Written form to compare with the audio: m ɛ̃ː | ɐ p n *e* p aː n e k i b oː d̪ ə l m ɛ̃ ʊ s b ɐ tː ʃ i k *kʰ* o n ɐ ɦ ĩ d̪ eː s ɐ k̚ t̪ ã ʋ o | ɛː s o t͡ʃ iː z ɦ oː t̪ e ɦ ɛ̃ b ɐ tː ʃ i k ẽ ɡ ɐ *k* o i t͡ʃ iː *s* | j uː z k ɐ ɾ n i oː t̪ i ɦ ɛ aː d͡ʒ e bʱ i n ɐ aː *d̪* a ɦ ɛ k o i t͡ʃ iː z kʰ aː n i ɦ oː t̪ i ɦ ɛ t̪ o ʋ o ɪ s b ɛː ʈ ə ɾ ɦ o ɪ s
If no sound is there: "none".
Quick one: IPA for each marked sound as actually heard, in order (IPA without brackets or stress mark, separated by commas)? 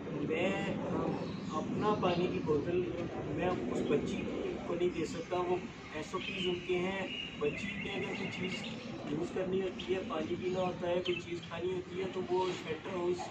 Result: a, k, k, z, t̪